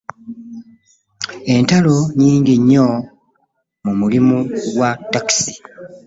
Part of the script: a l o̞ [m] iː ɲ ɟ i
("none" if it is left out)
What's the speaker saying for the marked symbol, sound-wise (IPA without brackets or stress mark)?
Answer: ɲ